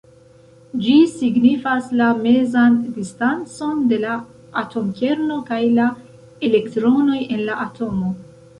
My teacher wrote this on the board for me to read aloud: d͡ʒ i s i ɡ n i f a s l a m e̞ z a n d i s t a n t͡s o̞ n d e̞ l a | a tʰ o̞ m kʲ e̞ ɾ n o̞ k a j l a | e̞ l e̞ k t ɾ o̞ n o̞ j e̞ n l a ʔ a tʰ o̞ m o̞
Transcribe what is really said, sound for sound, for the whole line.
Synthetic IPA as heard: d͡ʒ i s i ɡ n i f a s l a m e̞ z a n d i s t a n t͡s o̞ n d e̞ l a | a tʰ o̞ m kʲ e̞ ɾ n o̞ k a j l a | e̞ l e̞ k t ɾ o̞ n o̞ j e̞ n l a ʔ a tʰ o̞ m o̞